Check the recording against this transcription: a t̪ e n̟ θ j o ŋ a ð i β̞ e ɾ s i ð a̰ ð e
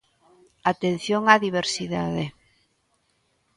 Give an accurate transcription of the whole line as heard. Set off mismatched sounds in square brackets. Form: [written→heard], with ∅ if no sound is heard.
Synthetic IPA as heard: a t̪ e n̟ θ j o ŋ a ð i β̞ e ɾ s i ð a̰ ð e